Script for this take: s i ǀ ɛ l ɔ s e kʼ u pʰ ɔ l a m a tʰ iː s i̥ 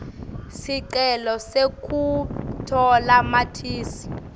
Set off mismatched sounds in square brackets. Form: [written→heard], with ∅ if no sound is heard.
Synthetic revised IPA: s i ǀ ɛ l ɔ s e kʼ u [pʰ→tʰ] ɔ l a m a tʰ iː s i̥